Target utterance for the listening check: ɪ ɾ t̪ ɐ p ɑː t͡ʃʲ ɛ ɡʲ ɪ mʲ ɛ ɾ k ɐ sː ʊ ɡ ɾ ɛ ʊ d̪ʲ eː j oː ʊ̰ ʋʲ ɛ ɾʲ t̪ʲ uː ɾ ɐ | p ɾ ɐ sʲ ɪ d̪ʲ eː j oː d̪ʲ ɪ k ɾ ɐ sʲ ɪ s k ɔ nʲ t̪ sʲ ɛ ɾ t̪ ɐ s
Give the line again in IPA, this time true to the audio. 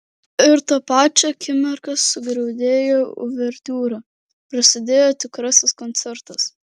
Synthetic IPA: ɪ ɾ t̪ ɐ p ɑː t͡ʃʲ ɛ kʲ ɪ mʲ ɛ ɾ k ɐ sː ʊ ɡ ɾ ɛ ʊ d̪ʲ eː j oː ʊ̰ ʋʲ ɛ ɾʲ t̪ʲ uː ɾ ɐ | p ɾ ɐ sʲ ɪ d̪ʲ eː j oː t̪ʲ ɪ k ɾ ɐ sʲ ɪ s k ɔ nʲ t̪ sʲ ɛ ɾ t̪ ɐ s